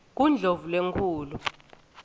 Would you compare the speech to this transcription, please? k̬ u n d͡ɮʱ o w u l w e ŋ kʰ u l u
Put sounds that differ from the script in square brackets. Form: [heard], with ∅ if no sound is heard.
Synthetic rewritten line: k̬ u n d͡ɮʱ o [v] u l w e ŋ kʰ [uː] l u